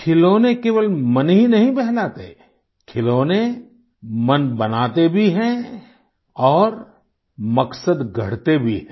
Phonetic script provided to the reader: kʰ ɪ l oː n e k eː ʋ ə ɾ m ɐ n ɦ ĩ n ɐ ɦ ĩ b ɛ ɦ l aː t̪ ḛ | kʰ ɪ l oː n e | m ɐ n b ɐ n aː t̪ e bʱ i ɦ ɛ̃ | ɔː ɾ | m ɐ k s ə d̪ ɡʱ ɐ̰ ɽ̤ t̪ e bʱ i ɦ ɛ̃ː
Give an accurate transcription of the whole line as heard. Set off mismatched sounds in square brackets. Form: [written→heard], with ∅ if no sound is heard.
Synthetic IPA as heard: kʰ ɪ l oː n e k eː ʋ ə [ɾ→l] m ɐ n ɦ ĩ n ɐ ɦ ĩ b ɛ ɦ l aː t̪ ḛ | kʰ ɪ l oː n e | m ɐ n b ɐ n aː t̪ e bʱ i ɦ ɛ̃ | ɔː ɾ | m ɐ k s ə d̪ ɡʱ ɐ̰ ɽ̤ t̪ e bʱ i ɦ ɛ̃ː